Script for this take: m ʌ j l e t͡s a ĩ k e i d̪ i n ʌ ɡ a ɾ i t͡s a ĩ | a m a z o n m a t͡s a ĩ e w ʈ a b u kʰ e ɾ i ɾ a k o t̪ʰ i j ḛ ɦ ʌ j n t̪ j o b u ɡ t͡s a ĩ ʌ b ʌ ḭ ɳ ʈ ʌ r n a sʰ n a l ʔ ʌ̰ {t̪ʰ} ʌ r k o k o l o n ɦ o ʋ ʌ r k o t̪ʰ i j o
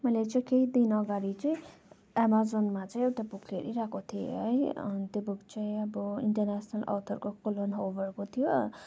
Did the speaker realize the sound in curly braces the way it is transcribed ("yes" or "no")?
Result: yes